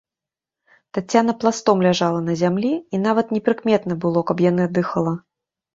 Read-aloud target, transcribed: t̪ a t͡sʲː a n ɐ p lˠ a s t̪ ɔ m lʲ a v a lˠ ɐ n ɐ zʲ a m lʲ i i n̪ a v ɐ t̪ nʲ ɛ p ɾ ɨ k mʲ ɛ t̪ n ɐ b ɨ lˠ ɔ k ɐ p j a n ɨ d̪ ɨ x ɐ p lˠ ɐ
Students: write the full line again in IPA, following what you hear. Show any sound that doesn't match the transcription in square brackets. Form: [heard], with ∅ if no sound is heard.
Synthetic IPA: t̪ a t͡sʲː a n ɐ p lˠ a s t̪ ɔ m lʲ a [ʐ] a lˠ ɐ n ɐ zʲ a m lʲ i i n̪ a v ɐ t̪ nʲ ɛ p ɾ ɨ k mʲ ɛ t̪ n ɐ b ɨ lˠ ɔ k ɐ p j a n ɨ d̪ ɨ x ɐ [∅] lˠ ɐ